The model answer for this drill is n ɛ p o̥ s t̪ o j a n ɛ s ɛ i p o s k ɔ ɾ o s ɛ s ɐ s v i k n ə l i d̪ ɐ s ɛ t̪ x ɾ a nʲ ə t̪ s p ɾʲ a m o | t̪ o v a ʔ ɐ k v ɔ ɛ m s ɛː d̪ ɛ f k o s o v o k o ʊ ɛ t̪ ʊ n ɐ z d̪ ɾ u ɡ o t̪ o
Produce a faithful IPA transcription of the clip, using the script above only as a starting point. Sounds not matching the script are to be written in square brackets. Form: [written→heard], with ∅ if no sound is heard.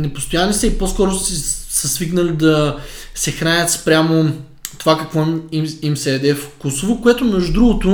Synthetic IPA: n ɛ p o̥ s t̪ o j a n [ɛ→i] s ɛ i p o s k ɔ ɾ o s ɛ s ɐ s v i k n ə l i d̪ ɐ s ɛ [t̪→∅] x ɾ a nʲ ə t̪ s p ɾʲ a m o | t̪ o v a [ʔ→k] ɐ k v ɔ [ɛ→i] m s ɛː d̪ ɛ f k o s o v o k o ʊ ɛ t̪ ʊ n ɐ [z→ʒ] d̪ ɾ u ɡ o t̪ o